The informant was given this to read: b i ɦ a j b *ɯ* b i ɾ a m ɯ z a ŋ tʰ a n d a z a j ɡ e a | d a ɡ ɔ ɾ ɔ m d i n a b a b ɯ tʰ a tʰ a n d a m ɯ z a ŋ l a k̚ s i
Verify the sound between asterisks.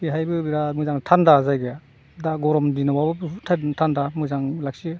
correct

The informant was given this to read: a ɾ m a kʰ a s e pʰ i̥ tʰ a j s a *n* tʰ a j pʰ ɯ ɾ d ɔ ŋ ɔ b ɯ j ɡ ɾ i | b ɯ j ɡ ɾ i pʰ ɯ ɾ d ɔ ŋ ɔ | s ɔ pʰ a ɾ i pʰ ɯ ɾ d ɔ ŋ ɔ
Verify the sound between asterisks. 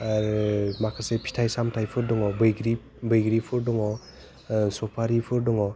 incorrect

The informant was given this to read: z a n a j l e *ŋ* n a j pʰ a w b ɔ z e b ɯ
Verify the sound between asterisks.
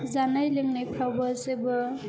correct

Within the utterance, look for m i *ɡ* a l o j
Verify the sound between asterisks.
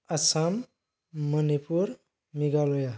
correct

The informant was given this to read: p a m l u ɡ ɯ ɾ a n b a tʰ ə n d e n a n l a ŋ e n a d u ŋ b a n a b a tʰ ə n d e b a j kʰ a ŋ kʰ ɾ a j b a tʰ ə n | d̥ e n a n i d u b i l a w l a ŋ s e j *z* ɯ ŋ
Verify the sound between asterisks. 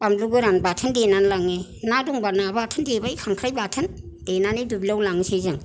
correct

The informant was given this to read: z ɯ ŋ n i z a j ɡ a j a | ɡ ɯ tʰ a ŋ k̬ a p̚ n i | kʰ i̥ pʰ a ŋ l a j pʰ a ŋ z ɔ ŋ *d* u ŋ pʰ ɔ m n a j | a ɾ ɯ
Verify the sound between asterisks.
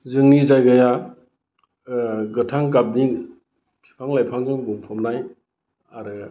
incorrect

